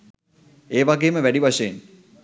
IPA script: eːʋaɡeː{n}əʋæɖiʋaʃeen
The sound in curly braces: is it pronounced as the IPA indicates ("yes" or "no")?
no